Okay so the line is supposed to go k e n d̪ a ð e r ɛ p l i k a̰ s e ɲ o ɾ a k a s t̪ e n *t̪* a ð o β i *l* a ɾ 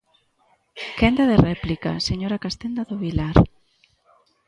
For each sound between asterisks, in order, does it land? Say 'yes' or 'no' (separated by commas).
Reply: no, yes